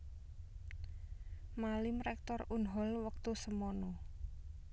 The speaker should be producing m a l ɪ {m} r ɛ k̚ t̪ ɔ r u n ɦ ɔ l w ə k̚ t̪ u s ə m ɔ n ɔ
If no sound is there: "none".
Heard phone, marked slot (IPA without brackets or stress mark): m